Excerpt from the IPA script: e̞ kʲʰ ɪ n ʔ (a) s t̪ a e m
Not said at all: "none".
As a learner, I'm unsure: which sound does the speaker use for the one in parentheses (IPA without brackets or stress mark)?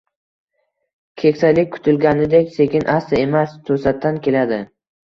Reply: a